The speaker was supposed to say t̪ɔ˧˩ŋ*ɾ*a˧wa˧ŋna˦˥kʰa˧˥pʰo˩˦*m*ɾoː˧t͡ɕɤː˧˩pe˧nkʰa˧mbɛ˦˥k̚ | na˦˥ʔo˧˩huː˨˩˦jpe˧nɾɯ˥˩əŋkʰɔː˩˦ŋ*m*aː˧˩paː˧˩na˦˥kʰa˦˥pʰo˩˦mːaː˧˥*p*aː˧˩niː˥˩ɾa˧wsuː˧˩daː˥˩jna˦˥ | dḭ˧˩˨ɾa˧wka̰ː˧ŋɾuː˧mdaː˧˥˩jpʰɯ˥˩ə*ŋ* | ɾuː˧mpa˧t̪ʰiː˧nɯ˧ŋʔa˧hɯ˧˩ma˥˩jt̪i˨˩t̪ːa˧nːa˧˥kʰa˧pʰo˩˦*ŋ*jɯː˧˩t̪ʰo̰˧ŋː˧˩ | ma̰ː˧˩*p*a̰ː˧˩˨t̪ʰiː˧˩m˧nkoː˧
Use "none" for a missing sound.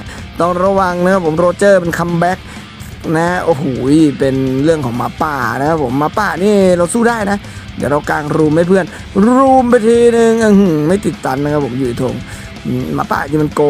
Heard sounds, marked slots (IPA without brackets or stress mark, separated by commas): ɾ, m, m, p, n, m, p